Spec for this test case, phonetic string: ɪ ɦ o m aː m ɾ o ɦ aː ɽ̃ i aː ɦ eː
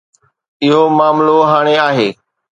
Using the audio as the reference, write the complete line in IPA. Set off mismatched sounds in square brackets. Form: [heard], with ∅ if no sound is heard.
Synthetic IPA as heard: ɪ ɦ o m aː m [l] o ɦ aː ɽ̃ [e] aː ɦ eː